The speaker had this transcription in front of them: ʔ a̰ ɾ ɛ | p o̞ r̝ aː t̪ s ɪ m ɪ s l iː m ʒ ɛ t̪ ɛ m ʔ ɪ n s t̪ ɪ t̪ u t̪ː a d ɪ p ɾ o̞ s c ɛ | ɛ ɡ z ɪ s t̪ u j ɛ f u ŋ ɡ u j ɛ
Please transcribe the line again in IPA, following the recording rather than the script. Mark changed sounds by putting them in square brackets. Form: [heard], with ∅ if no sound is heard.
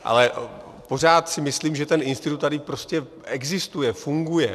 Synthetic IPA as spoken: ʔ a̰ [l] ɛ | p o̞ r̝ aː t̪ s ɪ m ɪ s l iː m ʒ ɛ t̪ ɛ [n] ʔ ɪ n s t̪ ɪ t̪ u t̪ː a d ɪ p ɾ o̞ s c ɛ | ɛ ɡ z ɪ s t̪ u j ɛ f u ŋ ɡ u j ɛ